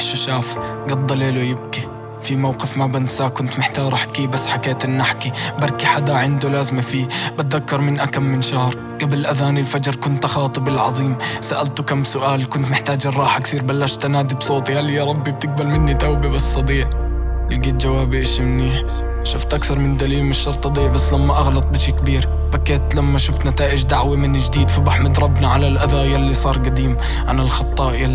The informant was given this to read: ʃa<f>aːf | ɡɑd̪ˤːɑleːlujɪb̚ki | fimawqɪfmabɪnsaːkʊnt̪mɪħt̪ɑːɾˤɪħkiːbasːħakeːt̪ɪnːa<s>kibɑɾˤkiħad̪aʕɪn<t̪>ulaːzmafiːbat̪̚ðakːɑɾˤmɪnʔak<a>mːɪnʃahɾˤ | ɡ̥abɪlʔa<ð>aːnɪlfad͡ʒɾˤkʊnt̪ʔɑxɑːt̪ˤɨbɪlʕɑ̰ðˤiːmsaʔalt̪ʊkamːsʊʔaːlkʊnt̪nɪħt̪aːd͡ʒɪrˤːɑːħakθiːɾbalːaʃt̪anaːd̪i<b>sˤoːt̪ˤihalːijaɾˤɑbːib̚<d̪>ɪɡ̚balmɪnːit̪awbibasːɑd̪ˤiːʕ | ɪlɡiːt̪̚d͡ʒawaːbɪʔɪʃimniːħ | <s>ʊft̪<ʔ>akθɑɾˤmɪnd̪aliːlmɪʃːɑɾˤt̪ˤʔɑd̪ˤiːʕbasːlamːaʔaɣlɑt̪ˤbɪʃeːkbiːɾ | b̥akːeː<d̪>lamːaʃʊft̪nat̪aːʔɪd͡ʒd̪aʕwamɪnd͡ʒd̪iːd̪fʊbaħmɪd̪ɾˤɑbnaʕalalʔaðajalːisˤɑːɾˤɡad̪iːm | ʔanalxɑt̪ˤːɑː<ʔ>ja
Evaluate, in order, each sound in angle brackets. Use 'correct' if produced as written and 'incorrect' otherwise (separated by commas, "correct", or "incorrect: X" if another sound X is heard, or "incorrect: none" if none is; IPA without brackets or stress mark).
incorrect: ʃ, incorrect: ħ, incorrect: d̪, correct, correct, correct, incorrect: t̪, incorrect: ʃ, correct, incorrect: t̪, correct